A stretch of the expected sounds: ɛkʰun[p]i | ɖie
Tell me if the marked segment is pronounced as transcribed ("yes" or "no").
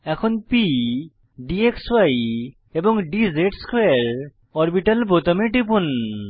yes